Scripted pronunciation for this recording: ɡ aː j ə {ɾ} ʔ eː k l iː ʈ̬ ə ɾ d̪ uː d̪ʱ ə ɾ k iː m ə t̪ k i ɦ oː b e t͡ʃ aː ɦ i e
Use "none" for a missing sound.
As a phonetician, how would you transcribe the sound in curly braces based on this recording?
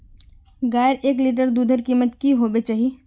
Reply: ɾ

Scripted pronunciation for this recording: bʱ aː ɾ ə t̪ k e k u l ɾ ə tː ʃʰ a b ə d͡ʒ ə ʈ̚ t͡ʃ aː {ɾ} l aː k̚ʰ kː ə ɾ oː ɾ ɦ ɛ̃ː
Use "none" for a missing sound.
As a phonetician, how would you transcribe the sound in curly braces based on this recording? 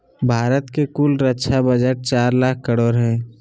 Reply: ɾ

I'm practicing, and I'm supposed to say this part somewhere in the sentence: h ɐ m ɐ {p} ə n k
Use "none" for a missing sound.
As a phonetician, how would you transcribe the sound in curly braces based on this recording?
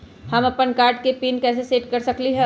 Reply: p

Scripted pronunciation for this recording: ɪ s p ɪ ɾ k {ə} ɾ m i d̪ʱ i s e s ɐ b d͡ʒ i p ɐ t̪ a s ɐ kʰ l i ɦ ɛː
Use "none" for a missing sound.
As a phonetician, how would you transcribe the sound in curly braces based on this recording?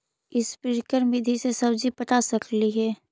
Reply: ə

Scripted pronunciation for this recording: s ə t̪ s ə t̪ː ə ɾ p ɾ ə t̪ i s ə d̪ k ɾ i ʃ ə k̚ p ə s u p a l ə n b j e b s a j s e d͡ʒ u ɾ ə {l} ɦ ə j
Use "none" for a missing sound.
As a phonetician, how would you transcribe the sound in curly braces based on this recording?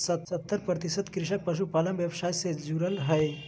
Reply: l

